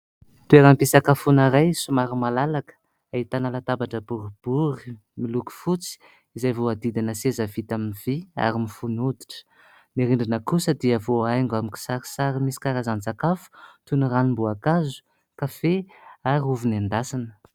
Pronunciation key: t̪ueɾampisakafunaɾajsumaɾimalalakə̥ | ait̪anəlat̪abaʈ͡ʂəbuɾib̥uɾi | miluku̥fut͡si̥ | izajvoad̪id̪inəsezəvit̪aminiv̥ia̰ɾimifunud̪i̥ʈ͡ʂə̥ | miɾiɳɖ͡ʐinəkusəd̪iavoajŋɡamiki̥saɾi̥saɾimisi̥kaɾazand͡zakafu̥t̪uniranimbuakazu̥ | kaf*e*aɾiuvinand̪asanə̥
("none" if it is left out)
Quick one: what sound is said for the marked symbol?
e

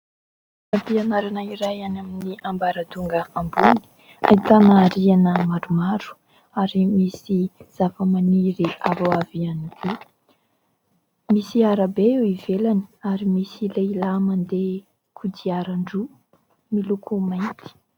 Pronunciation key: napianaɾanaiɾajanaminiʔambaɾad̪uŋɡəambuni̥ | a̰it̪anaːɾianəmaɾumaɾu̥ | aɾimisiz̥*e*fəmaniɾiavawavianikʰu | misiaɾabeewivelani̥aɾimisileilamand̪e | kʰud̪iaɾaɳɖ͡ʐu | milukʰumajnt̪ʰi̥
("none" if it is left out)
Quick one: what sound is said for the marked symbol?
a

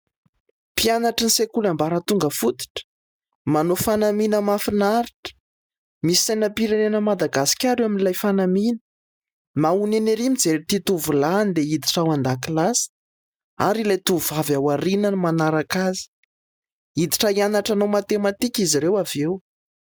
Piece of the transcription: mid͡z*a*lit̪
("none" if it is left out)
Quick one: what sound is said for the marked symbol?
e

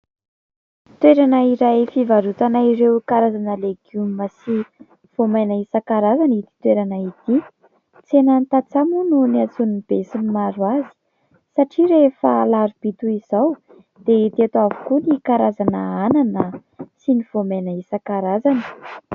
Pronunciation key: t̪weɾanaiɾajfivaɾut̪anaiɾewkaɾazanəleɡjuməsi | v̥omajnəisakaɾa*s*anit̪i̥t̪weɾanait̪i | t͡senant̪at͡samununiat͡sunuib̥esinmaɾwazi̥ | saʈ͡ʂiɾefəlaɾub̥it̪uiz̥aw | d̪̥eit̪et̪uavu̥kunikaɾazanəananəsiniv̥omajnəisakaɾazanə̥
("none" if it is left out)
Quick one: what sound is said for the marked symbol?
z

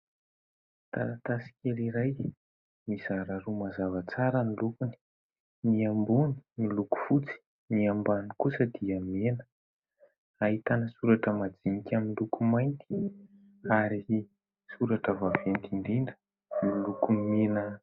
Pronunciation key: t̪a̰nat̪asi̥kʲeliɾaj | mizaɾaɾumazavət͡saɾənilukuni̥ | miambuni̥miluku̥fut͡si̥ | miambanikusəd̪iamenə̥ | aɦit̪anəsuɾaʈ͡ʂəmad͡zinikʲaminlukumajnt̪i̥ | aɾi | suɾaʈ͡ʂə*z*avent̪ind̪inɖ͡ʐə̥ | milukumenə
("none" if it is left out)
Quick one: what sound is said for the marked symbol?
v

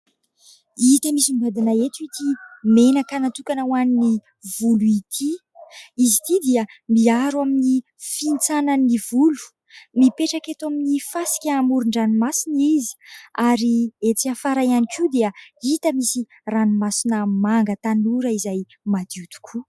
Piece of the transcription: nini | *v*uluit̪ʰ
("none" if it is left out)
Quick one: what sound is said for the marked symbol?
v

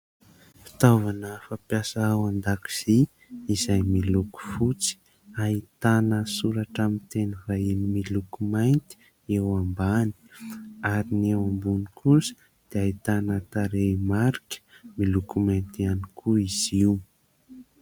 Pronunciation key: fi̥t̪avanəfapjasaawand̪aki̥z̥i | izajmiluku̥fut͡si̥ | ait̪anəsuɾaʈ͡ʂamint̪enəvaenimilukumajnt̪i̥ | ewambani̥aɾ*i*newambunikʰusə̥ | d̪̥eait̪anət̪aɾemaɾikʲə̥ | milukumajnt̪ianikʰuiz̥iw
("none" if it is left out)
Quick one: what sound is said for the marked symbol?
i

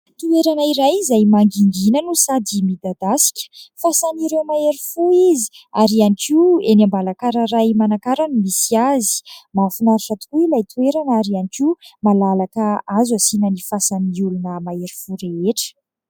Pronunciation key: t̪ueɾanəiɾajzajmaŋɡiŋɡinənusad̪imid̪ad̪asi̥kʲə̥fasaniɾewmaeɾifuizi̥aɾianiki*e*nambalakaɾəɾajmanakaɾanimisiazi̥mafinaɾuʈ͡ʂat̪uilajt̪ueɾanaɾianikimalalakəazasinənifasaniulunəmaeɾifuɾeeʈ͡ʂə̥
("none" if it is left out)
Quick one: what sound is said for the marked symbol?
e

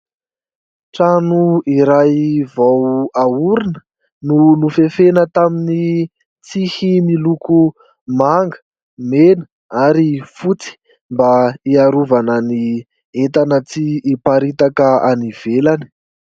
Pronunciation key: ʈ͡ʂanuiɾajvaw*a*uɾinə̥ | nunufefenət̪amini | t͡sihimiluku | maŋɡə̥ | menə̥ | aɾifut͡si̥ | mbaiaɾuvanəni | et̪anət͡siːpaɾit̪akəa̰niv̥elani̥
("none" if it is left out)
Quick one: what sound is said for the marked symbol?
a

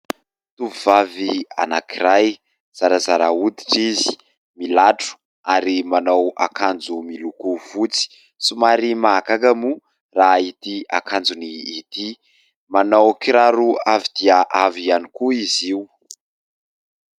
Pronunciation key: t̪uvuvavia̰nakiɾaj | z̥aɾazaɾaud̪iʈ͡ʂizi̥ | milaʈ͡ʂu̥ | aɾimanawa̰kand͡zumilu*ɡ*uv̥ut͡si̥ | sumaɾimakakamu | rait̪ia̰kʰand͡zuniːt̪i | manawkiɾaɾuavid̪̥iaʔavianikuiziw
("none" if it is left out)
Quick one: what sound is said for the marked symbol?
k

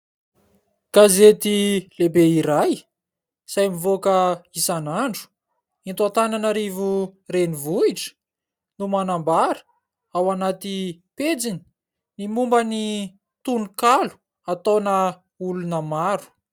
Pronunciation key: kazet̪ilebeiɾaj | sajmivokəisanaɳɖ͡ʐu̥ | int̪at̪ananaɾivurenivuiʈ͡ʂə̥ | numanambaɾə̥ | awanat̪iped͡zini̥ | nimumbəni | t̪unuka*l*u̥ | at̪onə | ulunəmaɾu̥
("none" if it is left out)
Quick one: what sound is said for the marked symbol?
l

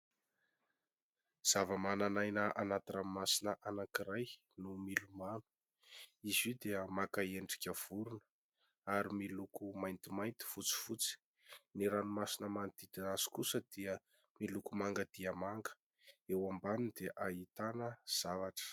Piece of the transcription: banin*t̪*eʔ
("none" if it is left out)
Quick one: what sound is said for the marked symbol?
d̪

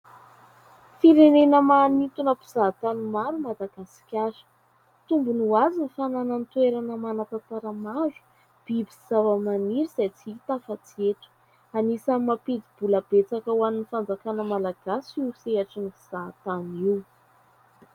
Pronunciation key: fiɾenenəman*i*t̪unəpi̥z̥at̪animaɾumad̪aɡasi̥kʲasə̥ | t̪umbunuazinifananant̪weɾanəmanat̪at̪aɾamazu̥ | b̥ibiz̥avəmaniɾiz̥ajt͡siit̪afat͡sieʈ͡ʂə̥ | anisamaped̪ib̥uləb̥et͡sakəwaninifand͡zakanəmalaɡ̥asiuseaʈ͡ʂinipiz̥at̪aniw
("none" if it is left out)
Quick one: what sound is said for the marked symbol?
i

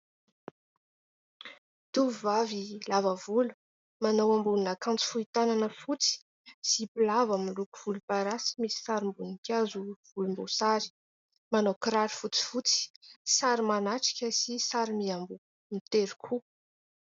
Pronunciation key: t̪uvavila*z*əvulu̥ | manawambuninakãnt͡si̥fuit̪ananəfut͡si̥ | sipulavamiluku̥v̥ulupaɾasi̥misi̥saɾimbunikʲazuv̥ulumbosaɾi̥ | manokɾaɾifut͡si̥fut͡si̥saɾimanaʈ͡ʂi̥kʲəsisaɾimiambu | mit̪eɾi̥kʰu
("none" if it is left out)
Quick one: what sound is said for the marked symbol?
v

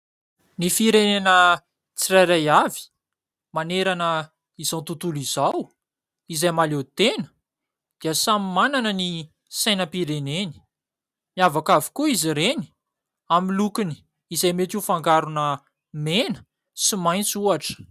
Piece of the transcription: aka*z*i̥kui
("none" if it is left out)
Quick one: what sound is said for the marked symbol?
v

